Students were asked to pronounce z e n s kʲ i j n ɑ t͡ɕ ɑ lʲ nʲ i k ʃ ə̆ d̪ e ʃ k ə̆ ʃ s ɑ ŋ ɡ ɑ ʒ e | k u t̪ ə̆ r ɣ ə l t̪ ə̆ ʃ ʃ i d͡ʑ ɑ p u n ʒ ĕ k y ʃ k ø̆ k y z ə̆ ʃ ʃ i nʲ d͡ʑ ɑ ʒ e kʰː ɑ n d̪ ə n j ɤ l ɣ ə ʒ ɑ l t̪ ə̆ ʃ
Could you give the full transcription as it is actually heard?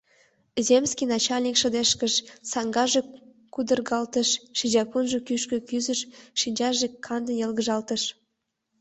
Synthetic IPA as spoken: z e m s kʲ i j n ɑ t͡ɕ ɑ lʲ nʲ i k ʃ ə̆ d̪ e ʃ k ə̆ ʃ s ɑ ŋ ɡ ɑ ʒ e | k u d̪ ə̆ r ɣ ɑ l t̪ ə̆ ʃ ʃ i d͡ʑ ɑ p u n ʒ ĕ k y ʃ k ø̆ k y z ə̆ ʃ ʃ i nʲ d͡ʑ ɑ ʒ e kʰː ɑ n d̪ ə n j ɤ l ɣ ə ʒ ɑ l t̪ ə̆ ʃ